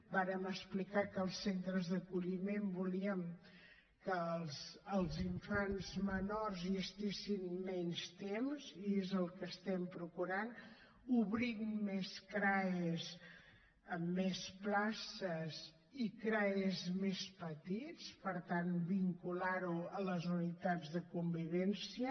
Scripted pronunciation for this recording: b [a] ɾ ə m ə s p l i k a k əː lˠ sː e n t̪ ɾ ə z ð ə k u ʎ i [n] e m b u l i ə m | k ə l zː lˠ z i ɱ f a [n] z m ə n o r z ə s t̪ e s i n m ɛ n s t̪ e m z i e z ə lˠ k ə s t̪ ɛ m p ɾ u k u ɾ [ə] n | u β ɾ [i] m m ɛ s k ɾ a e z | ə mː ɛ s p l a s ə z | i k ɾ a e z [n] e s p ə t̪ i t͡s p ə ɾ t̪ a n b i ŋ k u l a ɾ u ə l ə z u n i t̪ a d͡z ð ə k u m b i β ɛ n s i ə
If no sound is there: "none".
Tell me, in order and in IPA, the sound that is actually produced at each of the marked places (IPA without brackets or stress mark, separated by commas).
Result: a, m, n, a, i, m